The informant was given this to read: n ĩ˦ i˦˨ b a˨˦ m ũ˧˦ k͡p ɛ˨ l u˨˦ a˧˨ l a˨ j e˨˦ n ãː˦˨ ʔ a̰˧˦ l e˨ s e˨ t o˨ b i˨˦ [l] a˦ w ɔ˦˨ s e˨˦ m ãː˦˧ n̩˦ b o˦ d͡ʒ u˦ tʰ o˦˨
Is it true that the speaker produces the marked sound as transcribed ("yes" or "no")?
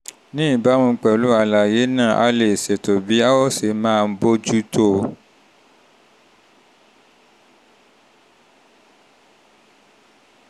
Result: no